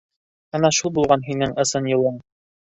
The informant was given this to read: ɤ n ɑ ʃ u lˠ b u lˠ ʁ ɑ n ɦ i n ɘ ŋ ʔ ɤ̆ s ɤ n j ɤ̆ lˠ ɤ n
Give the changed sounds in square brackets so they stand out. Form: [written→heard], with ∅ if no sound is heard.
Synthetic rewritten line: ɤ n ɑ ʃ u lˠ b u lˠ ʁ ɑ n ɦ i n ɘ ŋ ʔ ɤ̆ s ɤ n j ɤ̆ lˠ ɤ [n→ɴ]